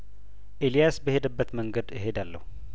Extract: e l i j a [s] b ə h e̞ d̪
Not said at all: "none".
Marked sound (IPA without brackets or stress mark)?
s